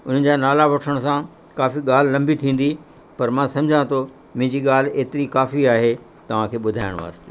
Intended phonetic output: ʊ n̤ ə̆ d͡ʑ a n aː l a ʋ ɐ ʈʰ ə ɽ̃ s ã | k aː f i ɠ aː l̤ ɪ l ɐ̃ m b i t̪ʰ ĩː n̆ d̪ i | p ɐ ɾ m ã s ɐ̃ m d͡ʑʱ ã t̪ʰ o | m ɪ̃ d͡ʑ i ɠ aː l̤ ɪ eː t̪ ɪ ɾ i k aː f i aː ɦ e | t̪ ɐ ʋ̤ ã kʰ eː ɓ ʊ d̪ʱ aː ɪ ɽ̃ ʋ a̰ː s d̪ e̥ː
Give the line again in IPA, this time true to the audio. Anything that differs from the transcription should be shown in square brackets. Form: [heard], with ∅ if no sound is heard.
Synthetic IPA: ʊ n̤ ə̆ d͡ʑ a n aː l a ʋ ɐ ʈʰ ə ɽ̃ s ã | k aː f i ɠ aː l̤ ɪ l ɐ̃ m b i t̪ʰ ĩː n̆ d̪ i | p ɐ ɾ m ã s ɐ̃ m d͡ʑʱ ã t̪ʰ o | m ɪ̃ d͡ʑ i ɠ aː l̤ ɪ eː t̪ ɪ ɾ i k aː f i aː ɦ e | t̪ ɐ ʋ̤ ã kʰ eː ɓ ʊ d̪ʱ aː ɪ ɽ̃ ʋ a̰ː s [t̪] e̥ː